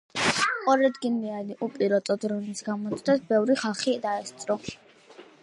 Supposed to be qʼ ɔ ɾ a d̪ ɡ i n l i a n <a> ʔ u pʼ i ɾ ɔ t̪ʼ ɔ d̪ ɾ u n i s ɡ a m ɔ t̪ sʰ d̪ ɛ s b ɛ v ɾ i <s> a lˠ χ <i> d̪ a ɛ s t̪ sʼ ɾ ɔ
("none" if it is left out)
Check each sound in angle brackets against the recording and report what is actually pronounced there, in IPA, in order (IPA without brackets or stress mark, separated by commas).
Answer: i, χ, i